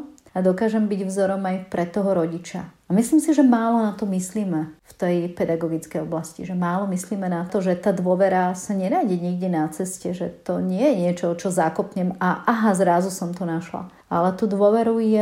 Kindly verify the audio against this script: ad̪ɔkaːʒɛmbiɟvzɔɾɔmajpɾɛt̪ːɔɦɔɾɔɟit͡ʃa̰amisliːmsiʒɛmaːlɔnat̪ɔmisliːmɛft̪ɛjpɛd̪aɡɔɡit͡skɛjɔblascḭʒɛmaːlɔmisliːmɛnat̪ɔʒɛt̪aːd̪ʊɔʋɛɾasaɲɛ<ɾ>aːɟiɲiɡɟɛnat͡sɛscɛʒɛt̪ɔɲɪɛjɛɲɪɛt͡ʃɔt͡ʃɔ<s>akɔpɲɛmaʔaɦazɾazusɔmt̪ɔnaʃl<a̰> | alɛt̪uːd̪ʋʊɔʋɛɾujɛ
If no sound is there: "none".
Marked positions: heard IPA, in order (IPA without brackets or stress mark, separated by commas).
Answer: ɾ, z, a̰